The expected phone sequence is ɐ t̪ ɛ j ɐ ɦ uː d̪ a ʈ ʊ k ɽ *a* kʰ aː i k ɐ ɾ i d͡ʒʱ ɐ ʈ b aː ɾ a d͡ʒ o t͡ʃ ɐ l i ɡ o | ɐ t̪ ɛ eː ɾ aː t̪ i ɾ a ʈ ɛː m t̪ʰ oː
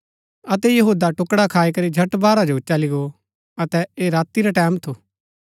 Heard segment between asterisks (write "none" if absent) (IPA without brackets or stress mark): a